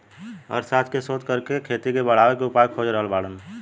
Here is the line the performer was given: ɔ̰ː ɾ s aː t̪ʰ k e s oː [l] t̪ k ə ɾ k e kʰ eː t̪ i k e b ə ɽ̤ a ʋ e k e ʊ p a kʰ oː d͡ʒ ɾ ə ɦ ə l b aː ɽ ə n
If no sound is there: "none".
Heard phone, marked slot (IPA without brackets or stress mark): none